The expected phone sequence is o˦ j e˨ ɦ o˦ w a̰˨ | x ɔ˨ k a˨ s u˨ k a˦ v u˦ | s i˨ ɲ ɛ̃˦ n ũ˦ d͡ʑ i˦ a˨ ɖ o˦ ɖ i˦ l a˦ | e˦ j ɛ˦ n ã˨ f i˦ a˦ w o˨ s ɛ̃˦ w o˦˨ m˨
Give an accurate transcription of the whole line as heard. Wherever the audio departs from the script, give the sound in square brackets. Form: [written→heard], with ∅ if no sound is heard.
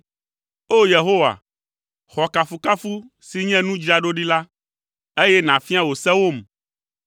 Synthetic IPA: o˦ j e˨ ɦ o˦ w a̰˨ | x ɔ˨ k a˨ [s→f] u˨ k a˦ [v→f] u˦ | s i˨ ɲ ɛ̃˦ n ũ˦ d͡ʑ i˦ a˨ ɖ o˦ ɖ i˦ l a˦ | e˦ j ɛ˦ n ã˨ f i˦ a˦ w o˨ s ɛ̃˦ w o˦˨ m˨